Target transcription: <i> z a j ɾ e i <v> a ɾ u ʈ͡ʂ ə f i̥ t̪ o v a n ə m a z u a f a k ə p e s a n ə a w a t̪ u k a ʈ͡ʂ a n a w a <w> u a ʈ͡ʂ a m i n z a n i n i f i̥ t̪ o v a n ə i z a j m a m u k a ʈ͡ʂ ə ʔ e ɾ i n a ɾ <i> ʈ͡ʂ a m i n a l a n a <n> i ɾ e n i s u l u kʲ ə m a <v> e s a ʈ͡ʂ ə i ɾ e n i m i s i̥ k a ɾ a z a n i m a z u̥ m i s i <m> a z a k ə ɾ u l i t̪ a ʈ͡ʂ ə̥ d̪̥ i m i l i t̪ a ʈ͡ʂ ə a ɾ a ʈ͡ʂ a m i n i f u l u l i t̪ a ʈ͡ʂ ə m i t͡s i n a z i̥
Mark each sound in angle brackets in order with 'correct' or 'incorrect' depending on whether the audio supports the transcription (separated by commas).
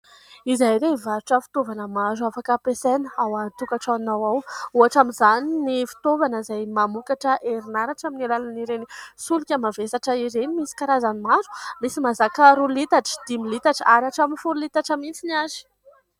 correct, correct, correct, incorrect, correct, correct, correct